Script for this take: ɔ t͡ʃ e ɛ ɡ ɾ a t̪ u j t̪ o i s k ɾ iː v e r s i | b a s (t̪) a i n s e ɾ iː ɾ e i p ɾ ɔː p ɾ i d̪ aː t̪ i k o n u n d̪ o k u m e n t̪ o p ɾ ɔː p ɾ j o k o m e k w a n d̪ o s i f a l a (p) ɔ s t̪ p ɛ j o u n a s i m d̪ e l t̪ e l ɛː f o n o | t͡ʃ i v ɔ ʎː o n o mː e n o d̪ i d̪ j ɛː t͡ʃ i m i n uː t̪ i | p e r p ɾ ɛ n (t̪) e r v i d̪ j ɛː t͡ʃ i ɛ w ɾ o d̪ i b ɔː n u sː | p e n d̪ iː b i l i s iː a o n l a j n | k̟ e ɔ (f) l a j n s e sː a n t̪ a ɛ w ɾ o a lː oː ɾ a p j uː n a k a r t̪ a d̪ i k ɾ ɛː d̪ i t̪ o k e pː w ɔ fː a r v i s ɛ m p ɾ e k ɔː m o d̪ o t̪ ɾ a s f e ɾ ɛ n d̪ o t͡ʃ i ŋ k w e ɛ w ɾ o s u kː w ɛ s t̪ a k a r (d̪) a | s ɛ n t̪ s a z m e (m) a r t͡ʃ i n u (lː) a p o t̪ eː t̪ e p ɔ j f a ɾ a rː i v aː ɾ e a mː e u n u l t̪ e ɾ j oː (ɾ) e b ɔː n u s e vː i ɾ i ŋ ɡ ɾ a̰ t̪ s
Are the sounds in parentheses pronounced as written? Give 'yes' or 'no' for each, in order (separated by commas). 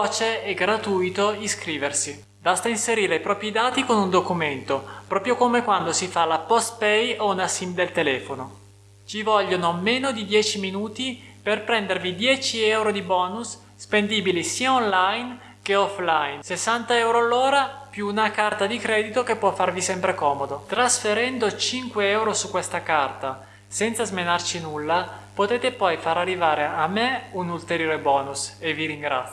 yes, yes, no, yes, no, no, yes, yes